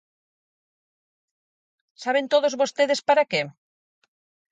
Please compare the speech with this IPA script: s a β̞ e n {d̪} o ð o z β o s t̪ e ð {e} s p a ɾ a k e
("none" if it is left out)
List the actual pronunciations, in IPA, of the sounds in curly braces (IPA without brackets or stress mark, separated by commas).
t̪, e